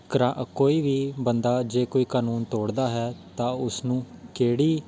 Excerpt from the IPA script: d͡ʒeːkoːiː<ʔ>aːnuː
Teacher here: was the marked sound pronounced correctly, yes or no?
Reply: no